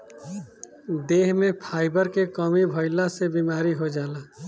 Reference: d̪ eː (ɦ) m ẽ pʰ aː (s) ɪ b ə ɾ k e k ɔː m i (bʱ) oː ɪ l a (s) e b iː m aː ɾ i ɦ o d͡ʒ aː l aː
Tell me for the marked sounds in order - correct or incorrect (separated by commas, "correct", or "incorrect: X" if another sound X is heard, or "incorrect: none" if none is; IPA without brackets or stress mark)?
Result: correct, incorrect: none, correct, correct